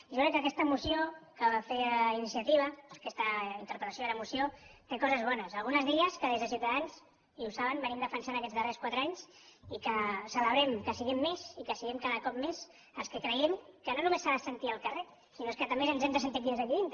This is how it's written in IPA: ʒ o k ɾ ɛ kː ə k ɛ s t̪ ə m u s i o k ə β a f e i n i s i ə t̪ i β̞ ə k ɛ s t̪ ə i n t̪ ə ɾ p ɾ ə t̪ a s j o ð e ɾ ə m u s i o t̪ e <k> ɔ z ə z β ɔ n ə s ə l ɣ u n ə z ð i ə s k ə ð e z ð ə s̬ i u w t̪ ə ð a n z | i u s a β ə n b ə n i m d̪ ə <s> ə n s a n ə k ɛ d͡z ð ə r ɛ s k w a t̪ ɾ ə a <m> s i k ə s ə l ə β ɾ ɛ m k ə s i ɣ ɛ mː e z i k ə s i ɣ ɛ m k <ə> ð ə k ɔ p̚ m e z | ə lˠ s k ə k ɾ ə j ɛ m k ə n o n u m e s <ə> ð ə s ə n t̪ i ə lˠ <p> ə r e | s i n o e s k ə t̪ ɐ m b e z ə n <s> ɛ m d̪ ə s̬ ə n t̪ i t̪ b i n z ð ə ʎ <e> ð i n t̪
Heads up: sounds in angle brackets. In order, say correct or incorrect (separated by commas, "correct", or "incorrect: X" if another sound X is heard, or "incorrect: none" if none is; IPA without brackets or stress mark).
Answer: correct, incorrect: f, incorrect: ɲ, incorrect: a, incorrect: a, incorrect: k, incorrect: z, incorrect: i